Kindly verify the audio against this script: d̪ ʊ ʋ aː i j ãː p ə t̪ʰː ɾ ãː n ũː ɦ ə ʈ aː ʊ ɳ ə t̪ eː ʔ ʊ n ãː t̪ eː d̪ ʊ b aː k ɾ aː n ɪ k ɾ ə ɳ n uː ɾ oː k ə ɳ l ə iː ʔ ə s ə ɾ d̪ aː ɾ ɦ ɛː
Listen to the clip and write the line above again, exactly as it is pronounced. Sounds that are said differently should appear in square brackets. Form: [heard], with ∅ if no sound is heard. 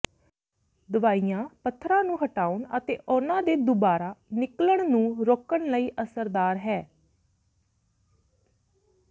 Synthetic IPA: d̪ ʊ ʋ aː i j ãː p ə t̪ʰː ɾ ãː n ũː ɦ ə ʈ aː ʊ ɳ ə t̪ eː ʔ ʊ n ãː [d̪] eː d̪ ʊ b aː [∅] ɾ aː n ɪ k [l] ə ɳ n [ũː] ɾ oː k ə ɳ l ə iː ʔ ə s ə ɾ d̪ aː ɾ ɦ ɛː

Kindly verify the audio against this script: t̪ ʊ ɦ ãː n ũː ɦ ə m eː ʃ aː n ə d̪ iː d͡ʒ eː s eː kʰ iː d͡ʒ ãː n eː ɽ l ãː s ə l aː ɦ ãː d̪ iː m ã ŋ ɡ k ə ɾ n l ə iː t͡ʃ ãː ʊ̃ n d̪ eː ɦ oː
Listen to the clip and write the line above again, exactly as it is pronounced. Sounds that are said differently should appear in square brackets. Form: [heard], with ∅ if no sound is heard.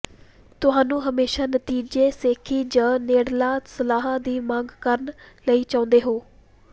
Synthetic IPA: t̪ ʊ ɦ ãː n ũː ɦ ə m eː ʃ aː n ə [t̪] iː d͡ʒ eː s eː kʰ iː d͡ʒ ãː n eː ɽ l [aː] s ə l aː ɦ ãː d̪ iː m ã ŋ ɡ k ə ɾ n l ə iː t͡ʃ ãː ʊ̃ n d̪ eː ɦ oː

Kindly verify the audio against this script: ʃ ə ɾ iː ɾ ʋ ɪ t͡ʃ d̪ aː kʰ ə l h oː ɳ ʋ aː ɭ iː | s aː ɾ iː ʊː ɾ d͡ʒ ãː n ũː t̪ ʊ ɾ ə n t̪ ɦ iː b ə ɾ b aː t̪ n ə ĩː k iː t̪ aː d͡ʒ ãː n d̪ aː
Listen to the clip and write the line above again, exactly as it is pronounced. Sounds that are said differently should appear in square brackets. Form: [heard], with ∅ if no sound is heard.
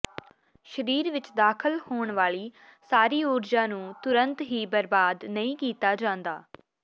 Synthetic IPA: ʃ ə ɾ iː ɾ ʋ ɪ t͡ʃ d̪ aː kʰ ə l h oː ɳ ʋ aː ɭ iː | s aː ɾ iː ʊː ɾ d͡ʒ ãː n ũː t̪ ʊ ɾ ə n t̪ ɦ iː b ə ɾ b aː [d̪] n ə ĩː k iː t̪ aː d͡ʒ ãː n d̪ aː

